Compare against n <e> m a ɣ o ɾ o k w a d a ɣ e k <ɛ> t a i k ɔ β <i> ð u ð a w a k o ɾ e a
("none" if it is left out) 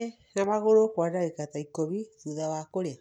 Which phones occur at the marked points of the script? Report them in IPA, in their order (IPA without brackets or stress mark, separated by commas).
a, a, i